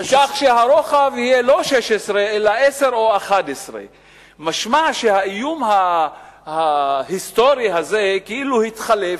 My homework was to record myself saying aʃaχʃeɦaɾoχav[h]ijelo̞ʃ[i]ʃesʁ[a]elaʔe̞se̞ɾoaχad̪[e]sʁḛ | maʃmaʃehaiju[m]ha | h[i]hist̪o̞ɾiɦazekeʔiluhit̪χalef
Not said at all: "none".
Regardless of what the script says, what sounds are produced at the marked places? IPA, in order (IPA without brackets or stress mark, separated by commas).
h, e, e, e, m, a